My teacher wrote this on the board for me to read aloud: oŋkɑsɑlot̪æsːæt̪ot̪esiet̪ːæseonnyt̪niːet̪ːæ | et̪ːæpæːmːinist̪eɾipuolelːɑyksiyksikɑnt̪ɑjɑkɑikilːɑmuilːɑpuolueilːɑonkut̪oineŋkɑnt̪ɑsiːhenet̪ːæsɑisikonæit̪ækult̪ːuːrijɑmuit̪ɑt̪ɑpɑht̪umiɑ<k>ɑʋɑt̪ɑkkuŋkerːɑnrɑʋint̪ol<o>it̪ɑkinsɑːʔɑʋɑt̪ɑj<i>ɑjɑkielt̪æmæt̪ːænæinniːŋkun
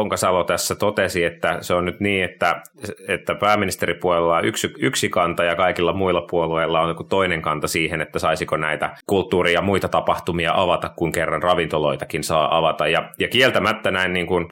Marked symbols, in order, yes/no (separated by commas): no, yes, no